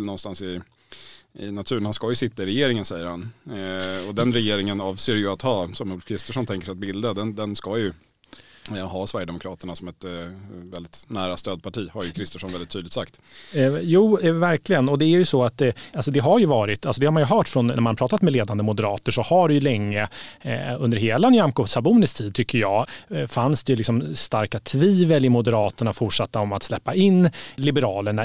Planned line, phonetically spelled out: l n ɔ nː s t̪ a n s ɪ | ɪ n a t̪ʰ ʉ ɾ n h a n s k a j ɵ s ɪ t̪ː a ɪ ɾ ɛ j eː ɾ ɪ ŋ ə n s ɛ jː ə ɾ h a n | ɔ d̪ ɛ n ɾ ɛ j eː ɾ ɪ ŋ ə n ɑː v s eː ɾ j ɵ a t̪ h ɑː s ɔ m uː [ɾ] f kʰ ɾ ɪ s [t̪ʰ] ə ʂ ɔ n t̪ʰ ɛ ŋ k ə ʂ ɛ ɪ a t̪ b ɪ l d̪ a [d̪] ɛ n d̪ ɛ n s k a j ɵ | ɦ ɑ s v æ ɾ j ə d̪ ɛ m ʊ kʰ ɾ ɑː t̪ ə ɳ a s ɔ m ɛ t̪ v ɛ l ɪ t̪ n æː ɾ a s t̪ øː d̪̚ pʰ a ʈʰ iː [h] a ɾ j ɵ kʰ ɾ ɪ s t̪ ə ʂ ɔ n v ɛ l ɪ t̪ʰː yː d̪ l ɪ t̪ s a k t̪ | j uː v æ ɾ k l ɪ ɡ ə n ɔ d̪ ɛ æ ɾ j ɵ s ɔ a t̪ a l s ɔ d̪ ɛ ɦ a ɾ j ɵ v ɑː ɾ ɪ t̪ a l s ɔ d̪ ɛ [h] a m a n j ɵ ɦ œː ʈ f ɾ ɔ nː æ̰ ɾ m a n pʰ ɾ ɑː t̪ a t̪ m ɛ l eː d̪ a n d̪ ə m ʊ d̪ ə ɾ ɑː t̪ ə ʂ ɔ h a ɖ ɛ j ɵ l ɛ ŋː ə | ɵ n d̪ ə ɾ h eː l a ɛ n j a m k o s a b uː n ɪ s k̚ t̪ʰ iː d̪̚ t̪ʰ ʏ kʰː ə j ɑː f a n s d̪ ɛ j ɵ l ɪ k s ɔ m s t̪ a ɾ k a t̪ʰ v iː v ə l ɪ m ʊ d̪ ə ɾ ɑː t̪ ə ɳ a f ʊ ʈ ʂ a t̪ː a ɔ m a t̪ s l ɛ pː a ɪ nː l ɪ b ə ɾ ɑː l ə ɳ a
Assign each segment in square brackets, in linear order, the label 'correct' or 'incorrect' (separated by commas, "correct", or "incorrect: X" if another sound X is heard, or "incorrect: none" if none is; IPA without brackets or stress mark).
incorrect: l, incorrect: t̪, correct, correct, correct